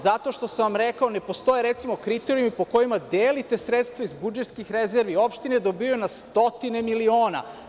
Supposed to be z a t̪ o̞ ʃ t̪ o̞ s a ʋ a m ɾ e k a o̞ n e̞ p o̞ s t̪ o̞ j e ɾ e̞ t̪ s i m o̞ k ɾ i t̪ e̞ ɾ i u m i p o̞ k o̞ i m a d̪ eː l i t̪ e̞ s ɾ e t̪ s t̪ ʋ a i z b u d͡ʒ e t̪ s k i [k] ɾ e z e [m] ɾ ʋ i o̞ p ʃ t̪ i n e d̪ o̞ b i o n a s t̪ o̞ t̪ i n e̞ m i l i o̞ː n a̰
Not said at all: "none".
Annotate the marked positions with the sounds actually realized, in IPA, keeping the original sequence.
x, none

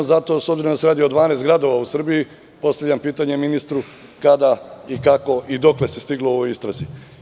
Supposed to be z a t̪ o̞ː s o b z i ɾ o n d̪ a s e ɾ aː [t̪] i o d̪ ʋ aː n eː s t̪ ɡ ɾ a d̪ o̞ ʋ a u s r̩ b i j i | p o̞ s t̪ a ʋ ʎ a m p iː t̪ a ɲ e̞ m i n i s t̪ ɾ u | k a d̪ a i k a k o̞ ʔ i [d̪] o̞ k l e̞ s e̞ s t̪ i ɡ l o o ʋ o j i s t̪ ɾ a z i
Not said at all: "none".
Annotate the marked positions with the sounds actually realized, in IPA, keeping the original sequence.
d̪, d̪

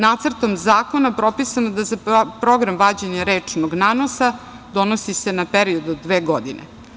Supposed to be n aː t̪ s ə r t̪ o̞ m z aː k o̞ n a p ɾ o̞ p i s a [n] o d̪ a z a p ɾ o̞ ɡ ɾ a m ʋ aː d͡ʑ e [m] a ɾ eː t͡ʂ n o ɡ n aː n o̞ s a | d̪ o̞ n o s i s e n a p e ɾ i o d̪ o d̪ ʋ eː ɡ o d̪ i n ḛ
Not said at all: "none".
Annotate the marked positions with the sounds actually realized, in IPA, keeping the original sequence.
n, ɲ

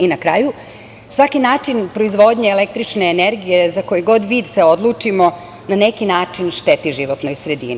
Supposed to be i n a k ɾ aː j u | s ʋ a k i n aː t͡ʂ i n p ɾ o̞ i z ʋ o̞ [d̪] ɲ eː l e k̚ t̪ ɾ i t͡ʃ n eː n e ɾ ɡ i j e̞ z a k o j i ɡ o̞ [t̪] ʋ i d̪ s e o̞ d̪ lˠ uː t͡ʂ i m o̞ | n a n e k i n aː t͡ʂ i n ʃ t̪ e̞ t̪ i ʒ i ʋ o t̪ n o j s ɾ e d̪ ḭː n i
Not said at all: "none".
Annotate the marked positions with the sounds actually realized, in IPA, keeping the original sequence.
d̪, d̪

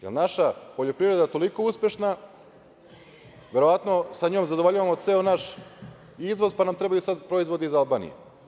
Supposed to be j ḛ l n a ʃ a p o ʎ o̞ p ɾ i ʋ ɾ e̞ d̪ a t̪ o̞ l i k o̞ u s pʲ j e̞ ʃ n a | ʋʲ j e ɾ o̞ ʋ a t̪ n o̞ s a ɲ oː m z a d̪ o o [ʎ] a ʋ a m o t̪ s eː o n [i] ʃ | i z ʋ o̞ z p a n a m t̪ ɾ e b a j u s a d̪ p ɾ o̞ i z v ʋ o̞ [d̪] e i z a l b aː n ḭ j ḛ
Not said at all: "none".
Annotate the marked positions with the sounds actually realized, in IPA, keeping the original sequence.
ʎ, a, d̪

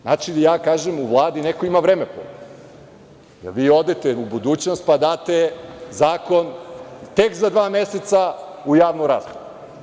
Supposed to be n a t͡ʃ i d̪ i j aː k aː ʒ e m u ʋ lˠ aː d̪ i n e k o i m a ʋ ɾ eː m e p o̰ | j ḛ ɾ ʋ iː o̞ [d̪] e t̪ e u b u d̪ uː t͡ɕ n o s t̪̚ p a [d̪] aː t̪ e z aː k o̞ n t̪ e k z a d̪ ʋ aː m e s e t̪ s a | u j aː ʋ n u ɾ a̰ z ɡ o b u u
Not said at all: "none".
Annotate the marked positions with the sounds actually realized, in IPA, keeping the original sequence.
d̪, d̪

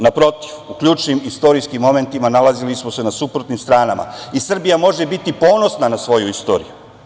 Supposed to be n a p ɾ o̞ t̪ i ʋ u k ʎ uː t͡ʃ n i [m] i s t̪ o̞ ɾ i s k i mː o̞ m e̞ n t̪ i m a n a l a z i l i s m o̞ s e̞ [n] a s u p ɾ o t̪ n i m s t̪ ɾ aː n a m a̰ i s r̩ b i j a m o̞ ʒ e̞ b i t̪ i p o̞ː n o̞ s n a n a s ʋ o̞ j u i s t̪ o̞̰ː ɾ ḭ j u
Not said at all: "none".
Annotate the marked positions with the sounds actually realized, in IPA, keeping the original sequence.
m, n

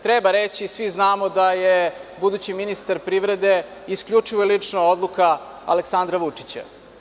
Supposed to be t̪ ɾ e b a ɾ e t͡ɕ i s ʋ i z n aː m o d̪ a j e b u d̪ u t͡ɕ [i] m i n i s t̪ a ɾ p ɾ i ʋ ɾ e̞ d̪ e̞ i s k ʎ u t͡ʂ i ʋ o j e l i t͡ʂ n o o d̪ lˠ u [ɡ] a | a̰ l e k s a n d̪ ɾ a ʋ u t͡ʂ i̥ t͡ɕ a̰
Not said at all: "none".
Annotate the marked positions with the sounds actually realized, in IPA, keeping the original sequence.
i, k

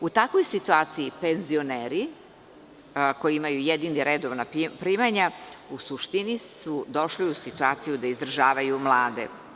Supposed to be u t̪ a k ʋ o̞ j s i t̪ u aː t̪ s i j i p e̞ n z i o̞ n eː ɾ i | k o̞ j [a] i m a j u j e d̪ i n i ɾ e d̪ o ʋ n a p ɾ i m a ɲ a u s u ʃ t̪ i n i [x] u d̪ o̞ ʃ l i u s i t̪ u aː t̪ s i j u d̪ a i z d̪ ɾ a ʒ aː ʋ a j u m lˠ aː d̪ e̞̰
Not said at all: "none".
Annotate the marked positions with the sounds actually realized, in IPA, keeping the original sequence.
i, s

